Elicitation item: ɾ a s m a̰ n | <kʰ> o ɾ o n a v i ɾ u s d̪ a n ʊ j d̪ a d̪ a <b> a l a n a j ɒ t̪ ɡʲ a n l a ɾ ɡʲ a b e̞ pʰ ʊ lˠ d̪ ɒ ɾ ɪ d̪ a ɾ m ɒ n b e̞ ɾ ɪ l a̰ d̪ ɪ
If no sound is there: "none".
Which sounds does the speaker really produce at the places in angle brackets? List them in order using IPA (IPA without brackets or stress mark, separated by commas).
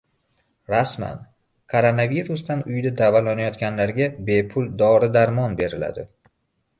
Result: kʰ, v